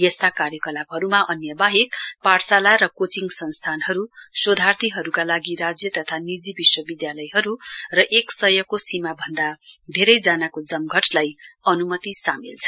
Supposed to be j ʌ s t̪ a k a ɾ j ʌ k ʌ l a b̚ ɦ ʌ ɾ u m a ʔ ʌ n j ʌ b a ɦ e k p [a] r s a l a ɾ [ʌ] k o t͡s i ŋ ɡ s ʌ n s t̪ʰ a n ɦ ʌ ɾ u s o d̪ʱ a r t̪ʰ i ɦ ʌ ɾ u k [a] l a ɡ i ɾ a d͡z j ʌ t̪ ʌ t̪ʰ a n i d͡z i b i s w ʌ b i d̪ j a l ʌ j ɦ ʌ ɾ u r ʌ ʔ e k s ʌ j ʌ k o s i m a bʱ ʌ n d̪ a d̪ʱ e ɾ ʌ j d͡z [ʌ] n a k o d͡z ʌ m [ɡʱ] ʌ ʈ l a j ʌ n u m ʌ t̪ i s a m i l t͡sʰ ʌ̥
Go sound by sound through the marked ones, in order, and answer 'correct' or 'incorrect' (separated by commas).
correct, correct, correct, incorrect, correct